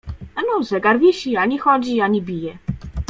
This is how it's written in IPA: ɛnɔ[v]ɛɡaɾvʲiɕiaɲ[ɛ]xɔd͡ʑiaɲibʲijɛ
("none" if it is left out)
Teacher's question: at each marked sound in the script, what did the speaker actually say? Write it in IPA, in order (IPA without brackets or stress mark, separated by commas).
z, i